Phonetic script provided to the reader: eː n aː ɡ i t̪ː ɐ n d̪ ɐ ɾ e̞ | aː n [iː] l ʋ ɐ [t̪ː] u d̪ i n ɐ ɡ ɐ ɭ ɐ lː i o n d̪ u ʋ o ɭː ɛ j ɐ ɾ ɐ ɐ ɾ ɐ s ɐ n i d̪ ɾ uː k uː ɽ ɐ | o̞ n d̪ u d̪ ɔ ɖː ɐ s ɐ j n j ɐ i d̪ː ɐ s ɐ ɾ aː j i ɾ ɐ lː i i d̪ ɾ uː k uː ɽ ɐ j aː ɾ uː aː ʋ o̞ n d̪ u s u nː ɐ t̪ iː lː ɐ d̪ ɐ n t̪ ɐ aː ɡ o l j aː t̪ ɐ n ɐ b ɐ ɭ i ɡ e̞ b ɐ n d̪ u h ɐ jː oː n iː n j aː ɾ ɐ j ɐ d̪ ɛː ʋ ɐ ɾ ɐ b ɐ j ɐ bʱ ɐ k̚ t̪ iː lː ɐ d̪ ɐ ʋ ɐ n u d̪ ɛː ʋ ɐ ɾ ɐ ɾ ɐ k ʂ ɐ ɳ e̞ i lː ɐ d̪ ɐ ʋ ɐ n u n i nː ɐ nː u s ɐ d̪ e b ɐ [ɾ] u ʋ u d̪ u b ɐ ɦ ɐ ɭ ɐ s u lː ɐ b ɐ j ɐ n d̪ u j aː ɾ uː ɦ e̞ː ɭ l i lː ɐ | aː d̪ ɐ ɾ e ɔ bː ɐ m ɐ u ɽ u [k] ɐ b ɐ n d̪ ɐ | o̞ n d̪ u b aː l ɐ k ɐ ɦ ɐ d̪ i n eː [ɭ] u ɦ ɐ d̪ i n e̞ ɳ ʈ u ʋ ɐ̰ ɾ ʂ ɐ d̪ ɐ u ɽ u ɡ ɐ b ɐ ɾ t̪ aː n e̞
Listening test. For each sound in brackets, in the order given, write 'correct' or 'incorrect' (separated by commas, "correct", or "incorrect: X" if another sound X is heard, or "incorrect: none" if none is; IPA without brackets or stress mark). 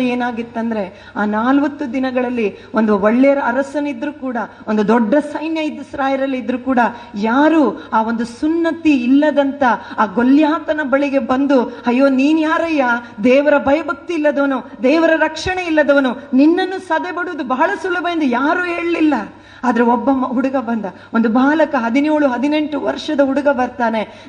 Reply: incorrect: aː, correct, incorrect: ɽ, incorrect: ɡ, correct